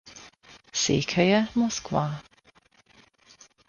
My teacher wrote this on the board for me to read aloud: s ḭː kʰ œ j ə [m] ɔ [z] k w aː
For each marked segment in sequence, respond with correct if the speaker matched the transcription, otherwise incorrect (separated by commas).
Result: correct, incorrect